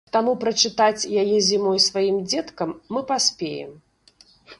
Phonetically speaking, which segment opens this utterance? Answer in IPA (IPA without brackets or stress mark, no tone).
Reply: t̪